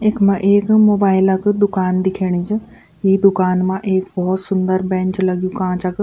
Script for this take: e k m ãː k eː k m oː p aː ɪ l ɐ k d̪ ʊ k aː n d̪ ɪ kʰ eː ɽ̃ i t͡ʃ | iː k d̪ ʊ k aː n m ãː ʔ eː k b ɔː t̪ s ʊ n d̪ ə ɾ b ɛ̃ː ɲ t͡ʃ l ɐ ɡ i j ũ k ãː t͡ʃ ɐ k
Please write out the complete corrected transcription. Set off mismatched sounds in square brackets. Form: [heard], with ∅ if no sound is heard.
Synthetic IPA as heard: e k m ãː [ʔ] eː k m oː [b] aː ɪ l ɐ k d̪ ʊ k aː n d̪ ɪ kʰ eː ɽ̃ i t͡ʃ | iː [∅] d̪ ʊ k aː n m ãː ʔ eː k b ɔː t̪ s ʊ n d̪ ə ɾ b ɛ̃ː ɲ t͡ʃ l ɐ ɡ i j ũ k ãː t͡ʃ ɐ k